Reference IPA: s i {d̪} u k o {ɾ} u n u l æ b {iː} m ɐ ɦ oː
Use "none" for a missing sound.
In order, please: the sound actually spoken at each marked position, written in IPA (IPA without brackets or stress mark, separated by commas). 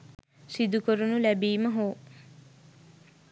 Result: d̪, ɾ, iː